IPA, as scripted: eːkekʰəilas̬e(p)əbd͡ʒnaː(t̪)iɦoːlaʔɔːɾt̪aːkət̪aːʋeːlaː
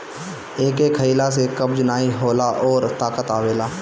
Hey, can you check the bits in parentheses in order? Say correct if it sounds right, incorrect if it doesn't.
incorrect, incorrect

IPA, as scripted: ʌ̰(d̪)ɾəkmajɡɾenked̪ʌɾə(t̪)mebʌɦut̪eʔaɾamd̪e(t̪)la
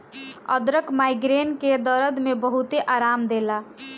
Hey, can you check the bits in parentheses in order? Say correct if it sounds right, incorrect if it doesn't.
correct, incorrect, incorrect

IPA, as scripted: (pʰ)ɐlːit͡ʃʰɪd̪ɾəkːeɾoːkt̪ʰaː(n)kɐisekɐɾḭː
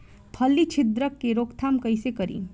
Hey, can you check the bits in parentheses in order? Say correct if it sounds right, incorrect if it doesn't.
correct, incorrect

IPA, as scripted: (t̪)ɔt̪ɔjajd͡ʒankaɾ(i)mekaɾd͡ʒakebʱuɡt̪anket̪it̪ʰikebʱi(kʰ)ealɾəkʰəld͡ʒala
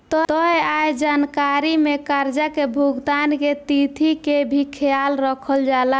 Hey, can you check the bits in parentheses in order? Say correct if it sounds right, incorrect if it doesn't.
correct, correct, correct

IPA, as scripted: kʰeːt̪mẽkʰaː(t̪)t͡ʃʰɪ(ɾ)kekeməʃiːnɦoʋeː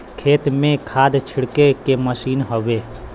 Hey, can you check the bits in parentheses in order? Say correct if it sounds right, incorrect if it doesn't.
incorrect, incorrect

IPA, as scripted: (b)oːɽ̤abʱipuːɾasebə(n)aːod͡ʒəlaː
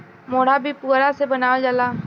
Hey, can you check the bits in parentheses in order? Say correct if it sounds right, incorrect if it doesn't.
incorrect, correct

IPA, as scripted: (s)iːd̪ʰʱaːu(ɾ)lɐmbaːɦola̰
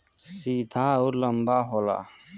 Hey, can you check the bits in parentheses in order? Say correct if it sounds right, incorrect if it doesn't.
correct, correct

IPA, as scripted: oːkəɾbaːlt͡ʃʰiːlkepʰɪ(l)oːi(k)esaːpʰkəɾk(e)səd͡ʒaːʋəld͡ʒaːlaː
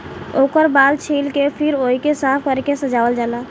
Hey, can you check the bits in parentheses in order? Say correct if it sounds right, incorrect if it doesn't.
incorrect, correct, correct

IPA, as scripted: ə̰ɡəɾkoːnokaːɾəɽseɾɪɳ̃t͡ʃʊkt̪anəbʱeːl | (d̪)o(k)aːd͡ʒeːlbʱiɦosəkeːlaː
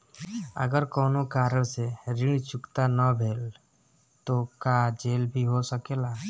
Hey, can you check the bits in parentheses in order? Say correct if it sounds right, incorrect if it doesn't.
incorrect, correct

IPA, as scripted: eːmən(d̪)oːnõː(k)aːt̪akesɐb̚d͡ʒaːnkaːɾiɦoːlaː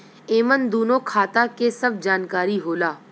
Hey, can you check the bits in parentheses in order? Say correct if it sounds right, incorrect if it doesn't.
correct, incorrect

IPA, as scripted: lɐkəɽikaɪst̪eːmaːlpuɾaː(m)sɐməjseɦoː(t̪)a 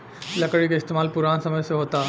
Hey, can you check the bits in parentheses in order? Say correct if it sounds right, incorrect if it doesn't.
incorrect, correct

